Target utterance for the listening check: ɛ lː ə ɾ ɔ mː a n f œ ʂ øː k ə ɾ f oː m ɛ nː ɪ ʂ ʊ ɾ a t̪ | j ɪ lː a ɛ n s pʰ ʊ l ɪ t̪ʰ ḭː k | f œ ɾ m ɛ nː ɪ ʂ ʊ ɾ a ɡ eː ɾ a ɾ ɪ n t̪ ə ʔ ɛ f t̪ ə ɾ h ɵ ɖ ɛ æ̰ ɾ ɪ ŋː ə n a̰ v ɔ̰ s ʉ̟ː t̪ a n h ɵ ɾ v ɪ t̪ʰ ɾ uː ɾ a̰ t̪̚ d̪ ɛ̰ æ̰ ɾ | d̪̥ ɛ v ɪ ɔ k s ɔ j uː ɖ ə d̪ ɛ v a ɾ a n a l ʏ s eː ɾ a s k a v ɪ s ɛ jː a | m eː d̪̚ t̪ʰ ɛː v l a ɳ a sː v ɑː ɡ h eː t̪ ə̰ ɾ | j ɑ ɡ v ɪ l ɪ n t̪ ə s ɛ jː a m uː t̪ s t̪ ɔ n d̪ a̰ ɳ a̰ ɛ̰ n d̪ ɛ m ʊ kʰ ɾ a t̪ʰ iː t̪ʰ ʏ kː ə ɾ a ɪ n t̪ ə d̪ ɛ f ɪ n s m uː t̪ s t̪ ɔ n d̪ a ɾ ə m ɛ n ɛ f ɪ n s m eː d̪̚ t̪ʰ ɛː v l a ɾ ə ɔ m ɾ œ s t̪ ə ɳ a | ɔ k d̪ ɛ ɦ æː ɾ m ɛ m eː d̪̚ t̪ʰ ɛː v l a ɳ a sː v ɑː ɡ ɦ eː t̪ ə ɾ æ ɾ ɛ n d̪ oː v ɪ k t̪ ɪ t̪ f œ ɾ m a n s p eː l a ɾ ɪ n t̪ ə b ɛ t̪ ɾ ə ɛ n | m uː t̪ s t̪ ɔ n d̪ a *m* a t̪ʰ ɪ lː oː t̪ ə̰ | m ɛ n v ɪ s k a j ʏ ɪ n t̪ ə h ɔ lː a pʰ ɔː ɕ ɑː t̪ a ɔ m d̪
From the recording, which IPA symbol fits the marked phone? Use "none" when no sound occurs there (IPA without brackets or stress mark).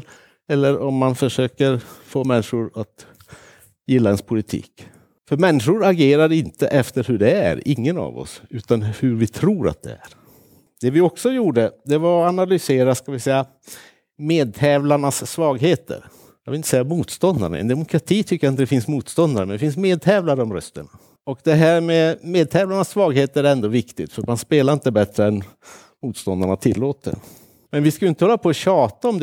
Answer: ɳ